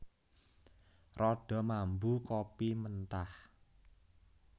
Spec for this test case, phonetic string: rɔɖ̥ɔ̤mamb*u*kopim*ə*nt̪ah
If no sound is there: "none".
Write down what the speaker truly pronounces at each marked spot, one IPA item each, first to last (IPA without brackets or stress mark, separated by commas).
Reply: u, ə